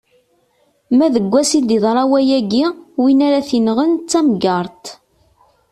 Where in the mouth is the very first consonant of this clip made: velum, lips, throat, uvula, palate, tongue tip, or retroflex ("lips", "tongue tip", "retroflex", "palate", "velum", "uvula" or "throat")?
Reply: lips